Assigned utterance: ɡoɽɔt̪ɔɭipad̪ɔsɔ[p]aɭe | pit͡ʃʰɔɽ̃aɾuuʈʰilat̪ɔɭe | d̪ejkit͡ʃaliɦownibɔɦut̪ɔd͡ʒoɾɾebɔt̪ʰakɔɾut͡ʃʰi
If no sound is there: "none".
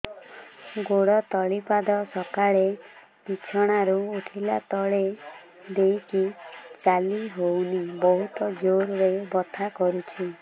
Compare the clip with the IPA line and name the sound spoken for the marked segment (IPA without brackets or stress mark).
k